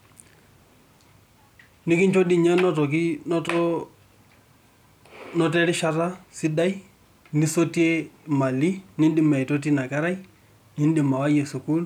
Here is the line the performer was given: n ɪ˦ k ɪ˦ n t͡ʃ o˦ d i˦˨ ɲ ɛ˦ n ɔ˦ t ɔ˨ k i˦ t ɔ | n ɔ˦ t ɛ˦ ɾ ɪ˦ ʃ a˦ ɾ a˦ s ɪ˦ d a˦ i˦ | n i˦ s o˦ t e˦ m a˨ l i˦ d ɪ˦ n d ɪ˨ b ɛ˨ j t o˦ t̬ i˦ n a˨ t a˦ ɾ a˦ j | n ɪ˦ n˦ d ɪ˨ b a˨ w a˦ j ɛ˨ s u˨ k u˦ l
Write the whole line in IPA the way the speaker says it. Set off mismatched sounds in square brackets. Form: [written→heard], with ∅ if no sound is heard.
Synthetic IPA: n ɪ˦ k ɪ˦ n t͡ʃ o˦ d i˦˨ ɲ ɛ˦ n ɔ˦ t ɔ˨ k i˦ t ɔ | n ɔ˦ t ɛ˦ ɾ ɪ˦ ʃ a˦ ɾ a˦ s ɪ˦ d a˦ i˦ | n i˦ s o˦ t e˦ m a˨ l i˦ [d→n] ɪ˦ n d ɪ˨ [b→m] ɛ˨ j t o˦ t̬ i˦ n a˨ [t→k] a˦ ɾ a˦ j | n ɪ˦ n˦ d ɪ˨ [b→m] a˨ w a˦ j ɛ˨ s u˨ k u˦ l